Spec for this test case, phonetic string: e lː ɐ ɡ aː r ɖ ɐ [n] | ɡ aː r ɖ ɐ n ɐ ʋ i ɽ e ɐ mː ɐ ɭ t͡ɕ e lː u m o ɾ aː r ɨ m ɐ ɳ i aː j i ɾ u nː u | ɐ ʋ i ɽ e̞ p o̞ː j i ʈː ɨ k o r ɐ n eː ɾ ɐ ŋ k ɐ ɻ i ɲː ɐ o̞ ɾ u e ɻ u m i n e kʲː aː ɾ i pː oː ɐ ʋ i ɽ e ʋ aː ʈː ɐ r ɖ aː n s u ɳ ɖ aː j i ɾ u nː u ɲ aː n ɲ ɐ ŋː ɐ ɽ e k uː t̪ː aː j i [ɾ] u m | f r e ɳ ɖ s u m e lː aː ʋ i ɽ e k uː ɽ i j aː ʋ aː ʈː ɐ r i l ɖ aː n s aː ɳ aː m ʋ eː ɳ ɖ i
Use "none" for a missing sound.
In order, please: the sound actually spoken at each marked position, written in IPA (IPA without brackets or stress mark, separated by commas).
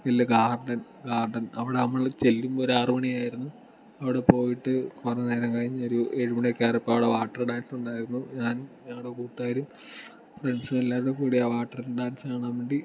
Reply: n, ɾ